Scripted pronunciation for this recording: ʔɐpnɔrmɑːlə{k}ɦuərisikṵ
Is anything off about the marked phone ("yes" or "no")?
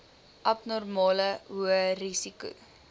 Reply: yes